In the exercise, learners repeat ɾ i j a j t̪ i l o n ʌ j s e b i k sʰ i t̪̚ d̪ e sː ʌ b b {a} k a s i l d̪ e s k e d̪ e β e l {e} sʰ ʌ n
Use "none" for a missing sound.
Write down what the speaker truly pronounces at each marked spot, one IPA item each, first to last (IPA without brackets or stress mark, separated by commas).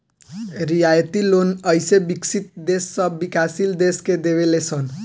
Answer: i, e